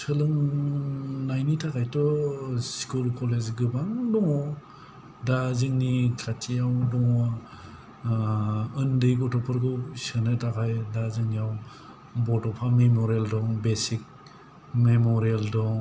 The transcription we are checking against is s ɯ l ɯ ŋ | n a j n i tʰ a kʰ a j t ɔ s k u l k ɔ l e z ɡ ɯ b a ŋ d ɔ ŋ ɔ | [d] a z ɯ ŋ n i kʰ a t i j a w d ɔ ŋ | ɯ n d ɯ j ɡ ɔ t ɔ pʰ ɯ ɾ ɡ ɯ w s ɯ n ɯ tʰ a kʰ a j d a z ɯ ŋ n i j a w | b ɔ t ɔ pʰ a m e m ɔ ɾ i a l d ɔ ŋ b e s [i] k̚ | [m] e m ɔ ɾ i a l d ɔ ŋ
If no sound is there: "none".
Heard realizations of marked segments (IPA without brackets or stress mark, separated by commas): d, i, m